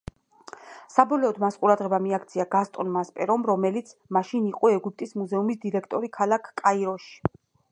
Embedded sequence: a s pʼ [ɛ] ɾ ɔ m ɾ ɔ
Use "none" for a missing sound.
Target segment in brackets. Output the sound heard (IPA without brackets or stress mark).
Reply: ɛ